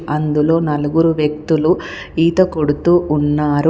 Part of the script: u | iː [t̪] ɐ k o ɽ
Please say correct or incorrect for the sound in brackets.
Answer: correct